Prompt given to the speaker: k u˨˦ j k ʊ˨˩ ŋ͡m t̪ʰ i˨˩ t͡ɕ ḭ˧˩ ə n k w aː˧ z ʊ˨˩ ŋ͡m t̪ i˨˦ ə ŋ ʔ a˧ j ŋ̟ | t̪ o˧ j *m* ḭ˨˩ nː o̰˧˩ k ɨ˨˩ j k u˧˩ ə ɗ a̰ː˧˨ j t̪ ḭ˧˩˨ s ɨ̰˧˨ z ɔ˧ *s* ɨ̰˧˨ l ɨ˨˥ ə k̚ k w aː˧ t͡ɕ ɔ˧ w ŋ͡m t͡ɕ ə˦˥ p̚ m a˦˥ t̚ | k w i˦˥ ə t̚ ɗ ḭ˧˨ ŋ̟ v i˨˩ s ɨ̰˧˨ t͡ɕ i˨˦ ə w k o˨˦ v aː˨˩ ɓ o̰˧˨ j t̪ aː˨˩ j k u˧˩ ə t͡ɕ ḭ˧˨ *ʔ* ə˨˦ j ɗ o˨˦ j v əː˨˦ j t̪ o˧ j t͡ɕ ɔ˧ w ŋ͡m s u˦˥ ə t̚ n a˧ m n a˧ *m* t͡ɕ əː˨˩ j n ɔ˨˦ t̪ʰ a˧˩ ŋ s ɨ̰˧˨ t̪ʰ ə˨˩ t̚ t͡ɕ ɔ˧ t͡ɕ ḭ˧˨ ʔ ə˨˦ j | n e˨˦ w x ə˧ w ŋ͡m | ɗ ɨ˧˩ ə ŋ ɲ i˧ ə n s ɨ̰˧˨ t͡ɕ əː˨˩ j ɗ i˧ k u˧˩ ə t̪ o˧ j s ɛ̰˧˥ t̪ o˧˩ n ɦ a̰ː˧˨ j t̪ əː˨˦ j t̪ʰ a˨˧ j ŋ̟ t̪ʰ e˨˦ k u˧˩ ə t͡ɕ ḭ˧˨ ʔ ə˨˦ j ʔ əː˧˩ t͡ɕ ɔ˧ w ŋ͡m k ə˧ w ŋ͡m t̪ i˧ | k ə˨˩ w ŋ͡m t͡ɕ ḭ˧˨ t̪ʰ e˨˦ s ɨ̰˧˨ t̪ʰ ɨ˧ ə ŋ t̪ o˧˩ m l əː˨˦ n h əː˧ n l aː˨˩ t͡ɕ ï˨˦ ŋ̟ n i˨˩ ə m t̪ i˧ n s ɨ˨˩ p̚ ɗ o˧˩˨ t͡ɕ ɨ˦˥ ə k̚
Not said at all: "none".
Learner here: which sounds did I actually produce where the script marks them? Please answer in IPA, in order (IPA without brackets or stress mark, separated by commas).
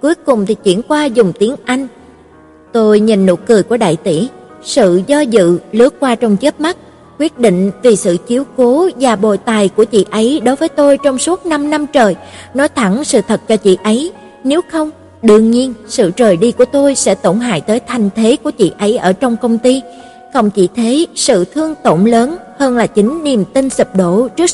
ɲ, z, ʔ, m